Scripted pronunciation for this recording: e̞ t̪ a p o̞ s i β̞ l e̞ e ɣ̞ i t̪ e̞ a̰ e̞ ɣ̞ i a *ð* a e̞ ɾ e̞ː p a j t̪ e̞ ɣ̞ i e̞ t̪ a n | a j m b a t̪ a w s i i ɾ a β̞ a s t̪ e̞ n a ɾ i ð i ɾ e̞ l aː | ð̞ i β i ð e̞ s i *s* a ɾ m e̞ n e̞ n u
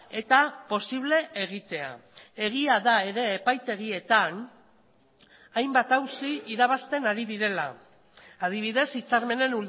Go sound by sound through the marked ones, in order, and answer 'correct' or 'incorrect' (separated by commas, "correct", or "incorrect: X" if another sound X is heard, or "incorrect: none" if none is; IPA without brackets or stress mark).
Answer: correct, incorrect: t͡s